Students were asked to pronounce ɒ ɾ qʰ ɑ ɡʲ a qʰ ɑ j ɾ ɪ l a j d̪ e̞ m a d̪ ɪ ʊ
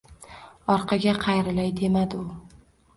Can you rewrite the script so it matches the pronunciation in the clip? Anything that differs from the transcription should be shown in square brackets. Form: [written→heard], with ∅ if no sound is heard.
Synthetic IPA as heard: ɒ ɾ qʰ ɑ ɡʲ a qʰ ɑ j ɾ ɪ l a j d̪ e̞ m a d̪ ɪ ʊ